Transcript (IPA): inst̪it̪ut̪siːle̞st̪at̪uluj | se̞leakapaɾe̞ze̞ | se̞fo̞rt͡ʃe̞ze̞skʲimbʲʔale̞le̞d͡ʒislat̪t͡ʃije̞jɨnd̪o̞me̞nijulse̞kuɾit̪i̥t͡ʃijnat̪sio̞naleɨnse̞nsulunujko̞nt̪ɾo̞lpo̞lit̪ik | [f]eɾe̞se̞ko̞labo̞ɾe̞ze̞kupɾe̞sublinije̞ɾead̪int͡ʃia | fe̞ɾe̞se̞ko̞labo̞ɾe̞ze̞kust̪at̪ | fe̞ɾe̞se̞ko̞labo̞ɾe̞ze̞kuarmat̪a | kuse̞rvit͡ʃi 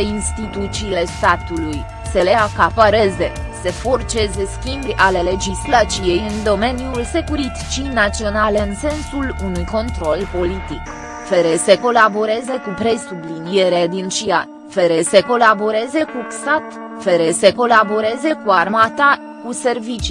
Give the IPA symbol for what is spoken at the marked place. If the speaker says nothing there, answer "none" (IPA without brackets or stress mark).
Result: f